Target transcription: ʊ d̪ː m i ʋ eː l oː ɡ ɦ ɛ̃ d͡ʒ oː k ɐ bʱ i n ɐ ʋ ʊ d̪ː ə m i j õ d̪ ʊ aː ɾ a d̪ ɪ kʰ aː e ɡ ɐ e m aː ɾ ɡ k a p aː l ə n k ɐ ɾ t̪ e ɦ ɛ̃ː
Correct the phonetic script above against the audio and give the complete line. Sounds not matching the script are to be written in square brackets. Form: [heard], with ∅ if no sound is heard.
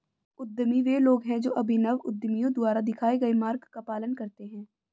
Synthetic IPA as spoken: ʊ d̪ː m i ʋ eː l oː ɡ ɦ ɛ̃ d͡ʒ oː [ʔ] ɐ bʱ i n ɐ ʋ ʊ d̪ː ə m i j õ d̪ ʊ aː ɾ a d̪ ɪ kʰ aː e ɡ ɐ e m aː ɾ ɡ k a p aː l ə n k ɐ ɾ t̪ e ɦ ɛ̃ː

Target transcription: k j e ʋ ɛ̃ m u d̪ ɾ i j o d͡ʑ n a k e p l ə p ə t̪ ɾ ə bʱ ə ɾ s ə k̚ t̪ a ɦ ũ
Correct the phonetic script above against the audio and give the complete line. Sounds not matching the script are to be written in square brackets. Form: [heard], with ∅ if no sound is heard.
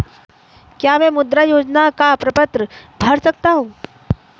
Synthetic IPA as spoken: k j [a] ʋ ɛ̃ m u d̪ ɾ [a] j o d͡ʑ n a k [a] p [ɾ] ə p ə t̪ ɾ ə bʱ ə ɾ s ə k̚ t̪ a ɦ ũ

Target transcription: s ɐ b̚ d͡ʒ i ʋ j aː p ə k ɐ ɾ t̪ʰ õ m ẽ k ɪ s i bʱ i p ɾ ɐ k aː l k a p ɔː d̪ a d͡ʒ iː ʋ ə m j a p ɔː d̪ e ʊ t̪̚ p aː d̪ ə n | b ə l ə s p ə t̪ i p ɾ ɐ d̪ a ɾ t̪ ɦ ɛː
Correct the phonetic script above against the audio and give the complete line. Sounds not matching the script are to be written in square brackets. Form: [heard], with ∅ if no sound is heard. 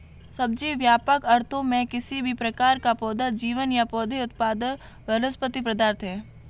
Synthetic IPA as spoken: s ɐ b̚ d͡ʒ i ʋ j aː p ə k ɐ ɾ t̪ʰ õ m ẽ k ɪ s i bʱ i p ɾ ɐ k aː [ɾ] k a p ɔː d̪ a d͡ʒ iː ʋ ə [n] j a p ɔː d̪ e ʊ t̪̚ p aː d̪ ə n | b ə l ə s p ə t̪ i p ɾ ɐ d̪ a ɾ t̪ ɦ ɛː

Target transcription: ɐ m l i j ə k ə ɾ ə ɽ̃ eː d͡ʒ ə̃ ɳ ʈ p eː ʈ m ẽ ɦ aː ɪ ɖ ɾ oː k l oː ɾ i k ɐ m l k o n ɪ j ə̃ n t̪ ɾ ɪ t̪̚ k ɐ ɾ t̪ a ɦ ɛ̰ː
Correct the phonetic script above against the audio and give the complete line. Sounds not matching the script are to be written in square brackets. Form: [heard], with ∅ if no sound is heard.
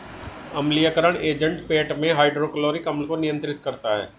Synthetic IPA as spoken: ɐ m l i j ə k ə ɾ ə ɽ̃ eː d͡ʒ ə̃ ɳ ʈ p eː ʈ m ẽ ɦ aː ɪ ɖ ɾ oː k l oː ɾ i k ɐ m l k o n ɪ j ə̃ n t̪ ɾ ɪ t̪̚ k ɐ ɾ t̪ a ɦ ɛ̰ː

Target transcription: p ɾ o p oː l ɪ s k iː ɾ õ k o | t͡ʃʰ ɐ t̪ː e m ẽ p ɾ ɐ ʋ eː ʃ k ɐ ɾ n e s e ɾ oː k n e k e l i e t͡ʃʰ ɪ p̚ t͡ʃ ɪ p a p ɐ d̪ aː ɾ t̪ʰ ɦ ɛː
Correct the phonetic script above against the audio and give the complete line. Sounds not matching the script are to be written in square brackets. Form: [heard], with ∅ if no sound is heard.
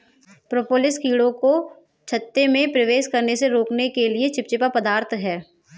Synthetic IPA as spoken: p ɾ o p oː l ɪ s k iː [ɽ] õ k o | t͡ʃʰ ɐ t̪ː e m ẽ p ɾ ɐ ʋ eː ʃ k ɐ ɾ n e s e ɾ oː k n e k e l i e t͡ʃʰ ɪ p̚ t͡ʃ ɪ p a p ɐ d̪ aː ɾ t̪ʰ ɦ ɛː

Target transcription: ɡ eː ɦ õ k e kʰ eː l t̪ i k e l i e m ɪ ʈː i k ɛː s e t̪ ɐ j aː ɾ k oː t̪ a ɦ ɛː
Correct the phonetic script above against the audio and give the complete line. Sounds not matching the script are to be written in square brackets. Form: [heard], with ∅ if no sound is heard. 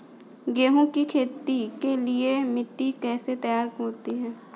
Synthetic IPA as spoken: ɡ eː ɦ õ k [i] kʰ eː [∅] t̪ i k e l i e m ɪ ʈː i k ɛː s e t̪ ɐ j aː ɾ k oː t̪ [i] ɦ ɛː

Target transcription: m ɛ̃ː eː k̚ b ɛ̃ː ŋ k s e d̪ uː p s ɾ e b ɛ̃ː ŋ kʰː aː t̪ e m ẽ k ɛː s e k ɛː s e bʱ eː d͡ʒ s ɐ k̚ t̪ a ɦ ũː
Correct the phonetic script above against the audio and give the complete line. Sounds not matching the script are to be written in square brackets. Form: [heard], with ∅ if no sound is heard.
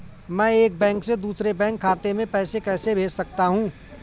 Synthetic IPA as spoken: m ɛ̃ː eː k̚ b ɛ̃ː ŋ k s e d̪ uː [∅] s ɾ e b ɛ̃ː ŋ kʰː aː t̪ e m ẽ [p] ɛː s e k ɛː s e bʱ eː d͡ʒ s ɐ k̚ t̪ a ɦ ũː

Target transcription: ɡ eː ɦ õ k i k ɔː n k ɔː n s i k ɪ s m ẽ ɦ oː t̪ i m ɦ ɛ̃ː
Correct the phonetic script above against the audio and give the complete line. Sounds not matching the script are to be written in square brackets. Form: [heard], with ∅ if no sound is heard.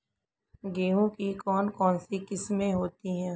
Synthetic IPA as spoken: ɡ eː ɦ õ k i k ɔː n k ɔː n s i k ɪ s m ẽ ɦ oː t̪ i [∅] ɦ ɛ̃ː

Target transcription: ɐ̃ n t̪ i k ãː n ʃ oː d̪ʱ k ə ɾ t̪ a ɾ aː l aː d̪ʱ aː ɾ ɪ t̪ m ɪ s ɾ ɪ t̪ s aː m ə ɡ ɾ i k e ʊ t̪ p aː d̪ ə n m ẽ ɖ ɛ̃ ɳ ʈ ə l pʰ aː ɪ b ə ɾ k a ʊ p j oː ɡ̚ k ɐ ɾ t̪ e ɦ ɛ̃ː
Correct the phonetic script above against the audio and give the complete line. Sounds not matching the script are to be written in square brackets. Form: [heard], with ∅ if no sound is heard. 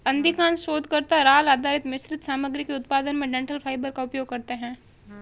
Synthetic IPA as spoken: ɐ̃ n [d̪] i k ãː n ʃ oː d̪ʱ k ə ɾ t̪ a ɾ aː l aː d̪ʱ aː ɾ ɪ t̪ m ɪ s ɾ ɪ t̪ s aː m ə ɡ ɾ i k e ʊ t̪ p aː d̪ ə n m ẽ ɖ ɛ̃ ɳ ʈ ə l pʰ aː ɪ b ə ɾ k a ʊ p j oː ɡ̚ k ɐ ɾ t̪ e ɦ ɛ̃ː

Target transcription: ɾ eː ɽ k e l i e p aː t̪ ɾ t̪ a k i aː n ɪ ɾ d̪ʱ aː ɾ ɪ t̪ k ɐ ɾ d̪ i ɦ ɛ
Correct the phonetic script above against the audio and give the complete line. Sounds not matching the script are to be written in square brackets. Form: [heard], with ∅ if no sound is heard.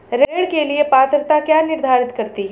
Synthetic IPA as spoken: ɾ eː ɽ k e l i e p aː t̪ ɾ t̪ a k [j] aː n ɪ ɾ d̪ʱ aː ɾ ɪ t̪ k ɐ ɾ [t̪] i ɦ ɛ

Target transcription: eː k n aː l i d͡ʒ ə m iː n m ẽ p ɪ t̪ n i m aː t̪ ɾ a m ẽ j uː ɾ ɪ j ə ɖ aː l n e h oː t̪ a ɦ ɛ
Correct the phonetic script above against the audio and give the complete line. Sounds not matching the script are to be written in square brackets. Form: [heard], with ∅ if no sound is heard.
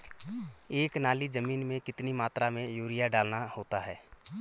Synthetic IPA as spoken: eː k n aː l i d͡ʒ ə m iː n m ẽ [k] ɪ t̪ n i m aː t̪ ɾ a m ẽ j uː ɾ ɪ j [a] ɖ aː l n [a] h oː t̪ a ɦ [ɛː]

